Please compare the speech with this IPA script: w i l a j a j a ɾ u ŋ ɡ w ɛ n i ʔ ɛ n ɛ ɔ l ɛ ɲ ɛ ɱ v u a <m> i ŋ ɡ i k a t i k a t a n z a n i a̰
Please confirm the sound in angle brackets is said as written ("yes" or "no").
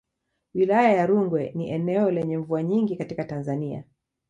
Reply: no